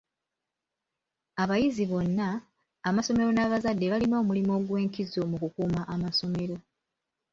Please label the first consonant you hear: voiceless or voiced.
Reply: voiced